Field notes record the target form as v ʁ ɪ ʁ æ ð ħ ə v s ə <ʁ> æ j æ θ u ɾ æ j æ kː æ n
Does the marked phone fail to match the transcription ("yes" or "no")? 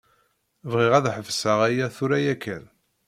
no